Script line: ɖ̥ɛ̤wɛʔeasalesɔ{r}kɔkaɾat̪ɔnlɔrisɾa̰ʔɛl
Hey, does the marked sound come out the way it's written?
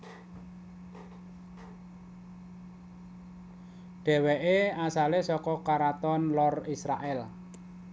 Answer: no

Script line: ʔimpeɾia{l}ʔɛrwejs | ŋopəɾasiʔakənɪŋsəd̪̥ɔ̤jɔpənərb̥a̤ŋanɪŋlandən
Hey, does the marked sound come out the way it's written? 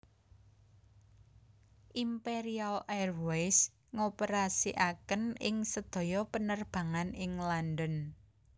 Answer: yes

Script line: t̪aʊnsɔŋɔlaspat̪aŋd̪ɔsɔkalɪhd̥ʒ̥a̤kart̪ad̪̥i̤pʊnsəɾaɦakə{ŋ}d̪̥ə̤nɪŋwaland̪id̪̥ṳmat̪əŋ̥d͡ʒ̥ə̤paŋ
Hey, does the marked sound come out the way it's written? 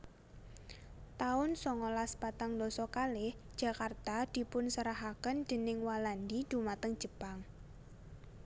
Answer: no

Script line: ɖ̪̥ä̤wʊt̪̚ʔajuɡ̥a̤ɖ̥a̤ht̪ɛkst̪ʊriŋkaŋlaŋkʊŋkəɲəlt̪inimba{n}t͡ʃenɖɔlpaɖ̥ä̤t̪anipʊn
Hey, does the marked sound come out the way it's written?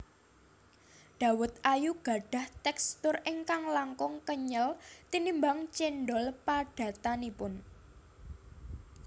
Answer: no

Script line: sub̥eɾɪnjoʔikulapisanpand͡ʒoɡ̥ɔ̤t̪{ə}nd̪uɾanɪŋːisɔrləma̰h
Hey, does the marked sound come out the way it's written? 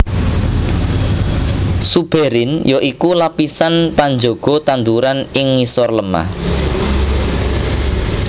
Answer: no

